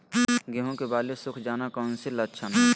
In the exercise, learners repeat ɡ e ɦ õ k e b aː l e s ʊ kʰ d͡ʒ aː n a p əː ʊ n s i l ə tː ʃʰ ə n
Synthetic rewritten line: ɡ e ɦ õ k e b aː l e s ʊ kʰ d͡ʒ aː n a k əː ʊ n s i l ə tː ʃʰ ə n